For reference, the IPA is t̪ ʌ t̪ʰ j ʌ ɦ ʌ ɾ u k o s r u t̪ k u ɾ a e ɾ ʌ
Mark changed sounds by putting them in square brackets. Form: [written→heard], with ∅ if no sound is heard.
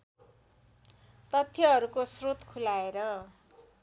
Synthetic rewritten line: t̪ ʌ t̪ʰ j ʌ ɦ ʌ ɾ u k o s r [u→o] t̪ [k→kʰ] u [ɾ→l] a e ɾ ʌ

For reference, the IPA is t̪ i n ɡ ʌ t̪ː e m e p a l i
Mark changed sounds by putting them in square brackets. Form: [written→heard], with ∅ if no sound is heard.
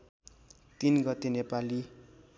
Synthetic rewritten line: t̪ i n ɡ ʌ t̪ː e [m→n] e p a l i

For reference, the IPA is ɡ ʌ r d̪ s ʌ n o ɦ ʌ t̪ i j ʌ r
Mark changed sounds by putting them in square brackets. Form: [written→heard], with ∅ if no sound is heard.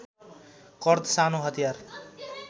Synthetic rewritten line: [ɡ→k] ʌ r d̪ s [ʌ→a] n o ɦ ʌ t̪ i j [ʌ→a] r

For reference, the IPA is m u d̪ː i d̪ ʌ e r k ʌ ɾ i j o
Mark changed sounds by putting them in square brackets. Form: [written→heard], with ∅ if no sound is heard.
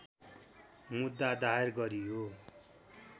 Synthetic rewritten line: m u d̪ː [i→a] d̪ [ʌ→a] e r [k→ɡ] ʌ ɾ i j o

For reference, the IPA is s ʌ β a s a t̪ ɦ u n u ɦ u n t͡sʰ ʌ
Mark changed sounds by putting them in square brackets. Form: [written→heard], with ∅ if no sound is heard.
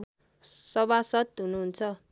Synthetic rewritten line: s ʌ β a s [a→ʌ] t̪ ɦ u n u ɦ u n t͡sʰ ʌ

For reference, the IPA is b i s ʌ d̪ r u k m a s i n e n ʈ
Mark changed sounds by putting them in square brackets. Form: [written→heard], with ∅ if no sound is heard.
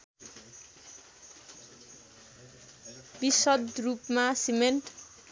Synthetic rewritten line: b i s ʌ d̪ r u [k→p] m a s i [n→m] e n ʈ

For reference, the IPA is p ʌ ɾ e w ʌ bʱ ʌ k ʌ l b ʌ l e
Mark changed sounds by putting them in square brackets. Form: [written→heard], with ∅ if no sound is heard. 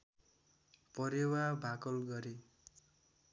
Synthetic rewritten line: p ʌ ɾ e w [ʌ→a] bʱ [ʌ→a] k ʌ l [b→ɡ] ʌ [l→ɾ] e

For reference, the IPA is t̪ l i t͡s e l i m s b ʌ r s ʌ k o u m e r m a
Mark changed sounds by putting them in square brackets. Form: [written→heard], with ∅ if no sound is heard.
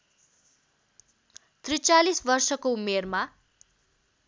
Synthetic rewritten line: t̪ [l→r] i t͡s [e→a] l i [m→∅] s b ʌ r s ʌ k o u m e r m a

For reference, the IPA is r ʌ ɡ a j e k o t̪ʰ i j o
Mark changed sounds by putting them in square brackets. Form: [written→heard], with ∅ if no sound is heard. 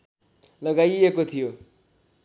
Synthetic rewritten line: [r→l] ʌ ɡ a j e k o t̪ʰ i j o

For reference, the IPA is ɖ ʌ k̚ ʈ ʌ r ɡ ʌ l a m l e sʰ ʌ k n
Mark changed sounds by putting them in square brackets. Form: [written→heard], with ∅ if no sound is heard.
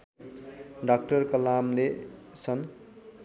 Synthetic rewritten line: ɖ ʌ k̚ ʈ ʌ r [ɡ→k] ʌ l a m l e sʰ ʌ [k→∅] n

